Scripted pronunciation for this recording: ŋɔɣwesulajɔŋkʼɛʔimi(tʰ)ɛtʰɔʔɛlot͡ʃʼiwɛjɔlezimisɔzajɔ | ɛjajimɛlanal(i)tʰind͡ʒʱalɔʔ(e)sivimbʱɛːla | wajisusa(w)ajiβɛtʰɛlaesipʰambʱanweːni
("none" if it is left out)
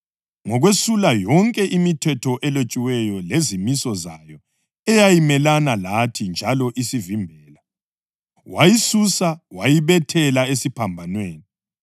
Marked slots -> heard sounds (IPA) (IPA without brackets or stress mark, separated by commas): tʰ, a, i, w